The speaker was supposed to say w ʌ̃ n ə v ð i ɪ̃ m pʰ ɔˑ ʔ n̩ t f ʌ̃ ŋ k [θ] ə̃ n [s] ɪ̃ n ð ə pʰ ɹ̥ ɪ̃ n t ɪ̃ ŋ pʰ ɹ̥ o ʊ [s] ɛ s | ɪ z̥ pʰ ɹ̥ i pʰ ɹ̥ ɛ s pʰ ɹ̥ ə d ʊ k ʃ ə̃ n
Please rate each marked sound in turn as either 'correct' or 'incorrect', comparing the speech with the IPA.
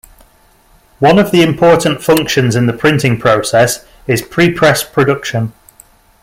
incorrect, incorrect, correct

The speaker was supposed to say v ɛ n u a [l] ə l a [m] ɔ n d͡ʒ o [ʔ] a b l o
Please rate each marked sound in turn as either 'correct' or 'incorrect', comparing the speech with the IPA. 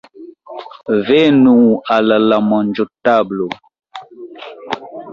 correct, correct, incorrect

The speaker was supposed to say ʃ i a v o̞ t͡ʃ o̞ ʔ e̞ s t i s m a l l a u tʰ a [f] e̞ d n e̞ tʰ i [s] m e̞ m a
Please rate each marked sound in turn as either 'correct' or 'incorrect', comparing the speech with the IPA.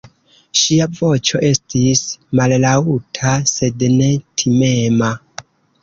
incorrect, incorrect

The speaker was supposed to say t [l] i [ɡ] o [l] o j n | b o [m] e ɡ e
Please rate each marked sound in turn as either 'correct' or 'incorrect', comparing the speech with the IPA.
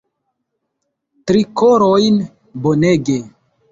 incorrect, incorrect, incorrect, incorrect

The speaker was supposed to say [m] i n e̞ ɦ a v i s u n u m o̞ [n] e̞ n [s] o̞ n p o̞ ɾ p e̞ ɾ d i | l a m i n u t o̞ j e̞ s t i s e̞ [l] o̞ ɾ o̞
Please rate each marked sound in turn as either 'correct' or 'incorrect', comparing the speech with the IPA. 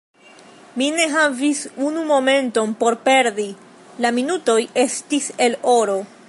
correct, incorrect, incorrect, correct

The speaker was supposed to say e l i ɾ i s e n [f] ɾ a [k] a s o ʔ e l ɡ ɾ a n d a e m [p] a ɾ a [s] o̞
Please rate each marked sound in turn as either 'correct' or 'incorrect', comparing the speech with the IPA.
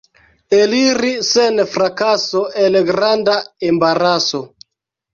correct, correct, incorrect, correct

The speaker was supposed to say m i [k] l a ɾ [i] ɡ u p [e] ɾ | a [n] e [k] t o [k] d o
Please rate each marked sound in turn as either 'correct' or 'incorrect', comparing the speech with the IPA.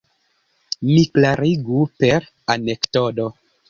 correct, correct, correct, correct, correct, incorrect

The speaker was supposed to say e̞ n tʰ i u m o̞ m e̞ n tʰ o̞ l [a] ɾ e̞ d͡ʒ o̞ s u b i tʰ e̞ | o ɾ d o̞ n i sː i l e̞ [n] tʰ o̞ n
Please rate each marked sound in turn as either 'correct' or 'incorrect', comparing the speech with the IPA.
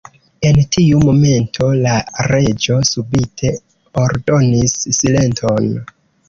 correct, correct

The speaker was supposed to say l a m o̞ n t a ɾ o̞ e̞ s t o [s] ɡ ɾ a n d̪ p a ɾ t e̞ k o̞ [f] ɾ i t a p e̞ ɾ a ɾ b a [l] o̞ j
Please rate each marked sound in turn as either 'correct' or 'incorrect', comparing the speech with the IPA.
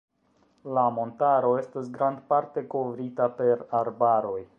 correct, incorrect, incorrect

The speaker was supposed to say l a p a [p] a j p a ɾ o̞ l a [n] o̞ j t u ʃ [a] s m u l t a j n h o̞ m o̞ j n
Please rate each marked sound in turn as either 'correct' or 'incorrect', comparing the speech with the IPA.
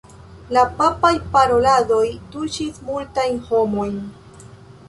correct, incorrect, incorrect

